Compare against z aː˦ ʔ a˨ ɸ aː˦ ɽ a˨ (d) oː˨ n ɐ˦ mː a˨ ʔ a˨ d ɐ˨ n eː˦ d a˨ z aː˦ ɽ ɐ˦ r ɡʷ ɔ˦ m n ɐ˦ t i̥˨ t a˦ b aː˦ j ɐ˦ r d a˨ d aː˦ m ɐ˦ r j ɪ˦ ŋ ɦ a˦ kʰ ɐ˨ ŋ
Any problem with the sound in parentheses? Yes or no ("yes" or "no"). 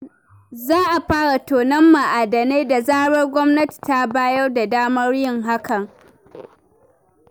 yes